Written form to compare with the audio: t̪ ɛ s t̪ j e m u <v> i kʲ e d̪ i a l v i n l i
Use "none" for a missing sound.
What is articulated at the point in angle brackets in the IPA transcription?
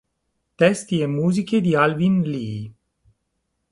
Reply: z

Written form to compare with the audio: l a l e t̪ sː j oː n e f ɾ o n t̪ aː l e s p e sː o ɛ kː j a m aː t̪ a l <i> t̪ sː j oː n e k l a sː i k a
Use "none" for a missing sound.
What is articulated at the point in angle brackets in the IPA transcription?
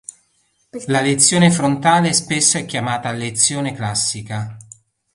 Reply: e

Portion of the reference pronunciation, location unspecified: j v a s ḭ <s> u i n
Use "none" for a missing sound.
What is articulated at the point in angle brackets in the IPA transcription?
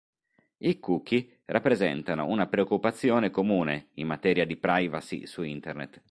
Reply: s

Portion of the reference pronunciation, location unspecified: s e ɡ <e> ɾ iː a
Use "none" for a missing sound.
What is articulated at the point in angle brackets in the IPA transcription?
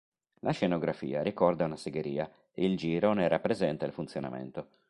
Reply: e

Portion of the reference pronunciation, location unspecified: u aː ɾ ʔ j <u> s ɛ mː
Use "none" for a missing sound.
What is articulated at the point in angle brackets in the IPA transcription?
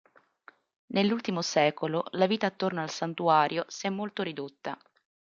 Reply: o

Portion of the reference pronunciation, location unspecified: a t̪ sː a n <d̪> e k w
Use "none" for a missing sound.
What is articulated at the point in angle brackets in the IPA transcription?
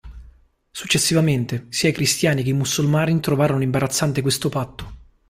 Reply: t̪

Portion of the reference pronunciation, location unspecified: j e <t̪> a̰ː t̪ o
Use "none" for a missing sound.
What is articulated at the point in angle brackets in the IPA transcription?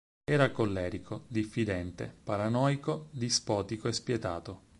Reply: t̪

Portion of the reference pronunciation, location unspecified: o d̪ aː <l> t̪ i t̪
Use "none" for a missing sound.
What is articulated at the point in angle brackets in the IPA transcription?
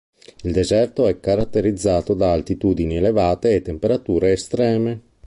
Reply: l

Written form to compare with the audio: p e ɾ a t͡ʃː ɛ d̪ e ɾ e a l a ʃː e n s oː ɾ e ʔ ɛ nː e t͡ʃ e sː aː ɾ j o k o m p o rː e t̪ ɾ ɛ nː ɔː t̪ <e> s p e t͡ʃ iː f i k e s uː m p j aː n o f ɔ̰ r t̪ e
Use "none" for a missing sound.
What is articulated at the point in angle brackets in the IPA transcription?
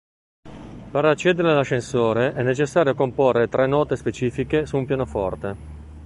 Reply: e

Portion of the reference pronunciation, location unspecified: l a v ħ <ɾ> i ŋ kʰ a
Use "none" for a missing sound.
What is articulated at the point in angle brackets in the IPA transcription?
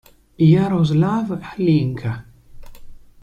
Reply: l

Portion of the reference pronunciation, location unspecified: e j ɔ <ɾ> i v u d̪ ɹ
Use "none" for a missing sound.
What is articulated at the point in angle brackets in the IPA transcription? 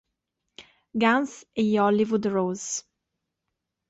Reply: l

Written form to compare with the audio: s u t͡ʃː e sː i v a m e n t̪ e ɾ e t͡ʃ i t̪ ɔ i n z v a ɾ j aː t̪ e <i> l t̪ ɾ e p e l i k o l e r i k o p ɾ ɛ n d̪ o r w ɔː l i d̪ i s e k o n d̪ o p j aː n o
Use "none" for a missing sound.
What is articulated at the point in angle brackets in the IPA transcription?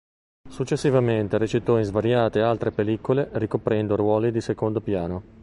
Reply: a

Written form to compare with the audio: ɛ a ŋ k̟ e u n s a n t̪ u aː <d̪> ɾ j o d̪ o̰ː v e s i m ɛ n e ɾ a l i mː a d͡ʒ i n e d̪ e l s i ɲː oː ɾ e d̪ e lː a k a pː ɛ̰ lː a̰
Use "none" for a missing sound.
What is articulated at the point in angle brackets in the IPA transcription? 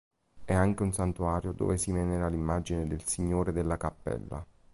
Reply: none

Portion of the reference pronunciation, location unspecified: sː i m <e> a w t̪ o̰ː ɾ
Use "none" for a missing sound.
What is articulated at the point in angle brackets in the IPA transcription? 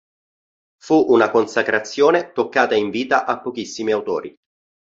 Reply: i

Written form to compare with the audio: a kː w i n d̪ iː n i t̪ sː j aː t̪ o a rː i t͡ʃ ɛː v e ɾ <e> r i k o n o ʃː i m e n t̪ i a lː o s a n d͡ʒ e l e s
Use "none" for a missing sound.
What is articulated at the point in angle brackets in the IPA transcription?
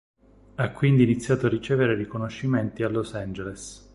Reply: e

